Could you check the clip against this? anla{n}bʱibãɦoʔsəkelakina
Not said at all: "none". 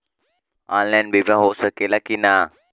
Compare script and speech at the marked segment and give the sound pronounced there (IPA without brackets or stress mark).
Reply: n